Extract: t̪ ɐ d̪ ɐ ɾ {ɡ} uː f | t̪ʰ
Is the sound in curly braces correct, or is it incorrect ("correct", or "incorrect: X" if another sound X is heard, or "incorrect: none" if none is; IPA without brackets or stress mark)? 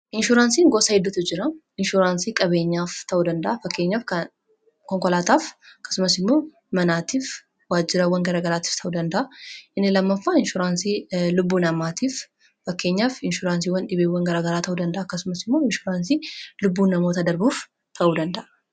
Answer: incorrect: b